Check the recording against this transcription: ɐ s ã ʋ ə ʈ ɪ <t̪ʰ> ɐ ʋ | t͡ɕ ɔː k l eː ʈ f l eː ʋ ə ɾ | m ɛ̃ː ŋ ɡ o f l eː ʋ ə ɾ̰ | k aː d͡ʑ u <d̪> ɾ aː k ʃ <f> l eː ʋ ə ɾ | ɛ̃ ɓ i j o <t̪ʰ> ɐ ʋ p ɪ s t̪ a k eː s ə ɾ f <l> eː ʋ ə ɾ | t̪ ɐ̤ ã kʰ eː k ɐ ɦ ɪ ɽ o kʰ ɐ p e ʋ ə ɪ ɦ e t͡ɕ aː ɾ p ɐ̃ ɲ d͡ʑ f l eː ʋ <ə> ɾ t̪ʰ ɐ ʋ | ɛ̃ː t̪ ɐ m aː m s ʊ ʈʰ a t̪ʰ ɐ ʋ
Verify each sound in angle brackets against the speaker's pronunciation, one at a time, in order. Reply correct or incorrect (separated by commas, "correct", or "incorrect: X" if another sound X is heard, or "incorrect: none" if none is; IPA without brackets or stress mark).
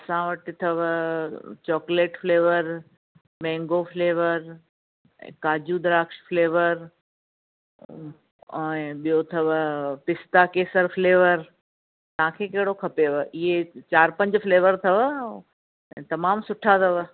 correct, correct, correct, correct, correct, correct